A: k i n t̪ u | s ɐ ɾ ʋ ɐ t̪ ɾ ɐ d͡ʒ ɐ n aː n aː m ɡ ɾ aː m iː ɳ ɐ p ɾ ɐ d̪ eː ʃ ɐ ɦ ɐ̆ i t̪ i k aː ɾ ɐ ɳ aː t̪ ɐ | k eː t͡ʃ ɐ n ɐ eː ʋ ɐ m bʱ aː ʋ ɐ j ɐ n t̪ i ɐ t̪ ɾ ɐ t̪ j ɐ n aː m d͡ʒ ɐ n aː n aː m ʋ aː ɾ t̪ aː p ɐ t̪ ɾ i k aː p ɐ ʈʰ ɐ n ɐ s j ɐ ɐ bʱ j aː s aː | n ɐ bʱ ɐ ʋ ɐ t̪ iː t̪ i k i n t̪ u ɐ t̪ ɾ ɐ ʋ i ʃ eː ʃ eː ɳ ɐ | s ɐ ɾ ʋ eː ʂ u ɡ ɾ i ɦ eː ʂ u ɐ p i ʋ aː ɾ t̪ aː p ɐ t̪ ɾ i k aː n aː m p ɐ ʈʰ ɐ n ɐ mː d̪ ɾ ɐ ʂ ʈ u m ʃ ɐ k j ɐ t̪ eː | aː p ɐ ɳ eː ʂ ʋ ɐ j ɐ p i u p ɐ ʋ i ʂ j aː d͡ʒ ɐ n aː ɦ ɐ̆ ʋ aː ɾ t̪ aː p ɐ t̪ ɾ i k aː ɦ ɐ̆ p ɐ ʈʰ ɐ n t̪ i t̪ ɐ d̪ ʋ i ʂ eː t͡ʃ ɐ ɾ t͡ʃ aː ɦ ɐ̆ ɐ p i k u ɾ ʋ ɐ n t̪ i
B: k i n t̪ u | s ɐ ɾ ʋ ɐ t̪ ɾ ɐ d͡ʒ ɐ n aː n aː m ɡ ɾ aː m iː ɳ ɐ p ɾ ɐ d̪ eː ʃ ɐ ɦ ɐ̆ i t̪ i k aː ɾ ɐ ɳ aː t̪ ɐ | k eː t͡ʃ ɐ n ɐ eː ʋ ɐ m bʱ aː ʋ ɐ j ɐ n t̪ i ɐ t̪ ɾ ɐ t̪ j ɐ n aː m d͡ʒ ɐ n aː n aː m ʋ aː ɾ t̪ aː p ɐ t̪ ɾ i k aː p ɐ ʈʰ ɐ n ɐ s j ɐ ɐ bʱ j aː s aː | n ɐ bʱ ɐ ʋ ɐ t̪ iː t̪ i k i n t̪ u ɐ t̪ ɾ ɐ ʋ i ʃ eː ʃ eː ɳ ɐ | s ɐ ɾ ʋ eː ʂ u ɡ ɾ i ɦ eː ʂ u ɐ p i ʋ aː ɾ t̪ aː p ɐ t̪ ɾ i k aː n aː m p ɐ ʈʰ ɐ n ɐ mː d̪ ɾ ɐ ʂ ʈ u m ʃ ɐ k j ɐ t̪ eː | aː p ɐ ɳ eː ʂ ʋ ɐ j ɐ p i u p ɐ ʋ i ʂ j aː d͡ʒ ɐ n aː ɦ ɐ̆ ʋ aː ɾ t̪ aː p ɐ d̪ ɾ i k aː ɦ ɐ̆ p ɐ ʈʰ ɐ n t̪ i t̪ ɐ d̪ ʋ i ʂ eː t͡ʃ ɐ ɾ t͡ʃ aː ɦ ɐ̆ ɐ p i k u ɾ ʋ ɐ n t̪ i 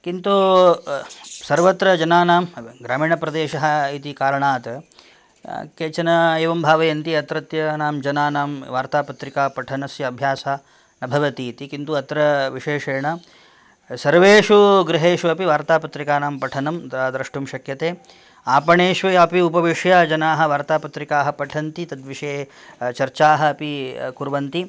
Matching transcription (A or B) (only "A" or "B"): A